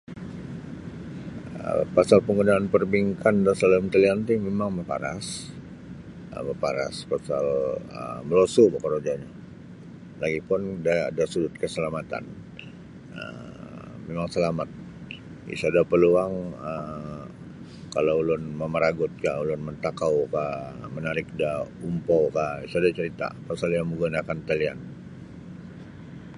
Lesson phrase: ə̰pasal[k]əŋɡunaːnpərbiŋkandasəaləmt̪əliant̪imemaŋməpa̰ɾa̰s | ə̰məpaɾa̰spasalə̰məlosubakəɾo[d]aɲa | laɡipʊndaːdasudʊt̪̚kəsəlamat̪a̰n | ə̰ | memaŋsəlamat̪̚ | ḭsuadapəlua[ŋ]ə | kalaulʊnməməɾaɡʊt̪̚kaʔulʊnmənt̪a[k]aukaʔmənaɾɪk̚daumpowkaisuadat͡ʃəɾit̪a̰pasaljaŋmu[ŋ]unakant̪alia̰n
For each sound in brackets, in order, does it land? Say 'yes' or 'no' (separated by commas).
no, no, yes, yes, no